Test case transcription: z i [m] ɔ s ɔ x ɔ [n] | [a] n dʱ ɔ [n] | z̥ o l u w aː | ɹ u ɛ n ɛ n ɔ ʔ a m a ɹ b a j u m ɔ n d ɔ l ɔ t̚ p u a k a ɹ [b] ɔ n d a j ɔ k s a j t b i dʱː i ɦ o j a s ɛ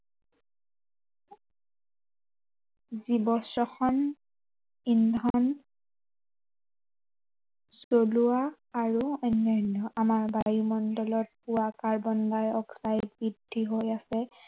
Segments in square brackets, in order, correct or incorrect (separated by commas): incorrect, correct, incorrect, correct, correct